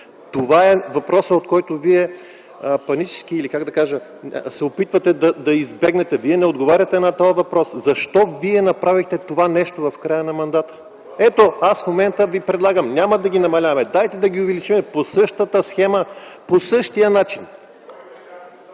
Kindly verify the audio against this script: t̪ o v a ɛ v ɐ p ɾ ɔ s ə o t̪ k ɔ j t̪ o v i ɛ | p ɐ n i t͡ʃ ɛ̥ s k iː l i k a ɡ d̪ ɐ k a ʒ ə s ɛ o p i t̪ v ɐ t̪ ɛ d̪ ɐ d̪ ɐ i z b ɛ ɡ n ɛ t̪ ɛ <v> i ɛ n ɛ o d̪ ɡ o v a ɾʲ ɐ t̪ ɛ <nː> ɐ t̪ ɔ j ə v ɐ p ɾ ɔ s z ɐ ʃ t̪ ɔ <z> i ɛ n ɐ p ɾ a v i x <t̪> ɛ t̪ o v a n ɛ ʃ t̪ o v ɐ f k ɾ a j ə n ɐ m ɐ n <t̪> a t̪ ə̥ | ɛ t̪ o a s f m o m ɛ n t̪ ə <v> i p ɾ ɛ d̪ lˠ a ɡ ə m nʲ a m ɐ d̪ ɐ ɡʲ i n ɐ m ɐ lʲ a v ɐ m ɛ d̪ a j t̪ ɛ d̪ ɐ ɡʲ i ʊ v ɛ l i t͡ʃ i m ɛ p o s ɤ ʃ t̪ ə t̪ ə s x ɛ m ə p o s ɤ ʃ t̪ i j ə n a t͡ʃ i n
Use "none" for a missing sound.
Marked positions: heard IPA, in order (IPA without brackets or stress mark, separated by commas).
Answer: v, n, v, t̪, d̪, v